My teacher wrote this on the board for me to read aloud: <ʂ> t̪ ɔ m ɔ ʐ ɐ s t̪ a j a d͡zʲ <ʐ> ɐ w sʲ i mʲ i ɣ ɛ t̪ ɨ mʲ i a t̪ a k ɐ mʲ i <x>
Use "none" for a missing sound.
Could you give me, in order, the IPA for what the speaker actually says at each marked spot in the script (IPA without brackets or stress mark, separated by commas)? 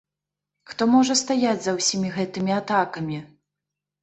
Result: x, z, none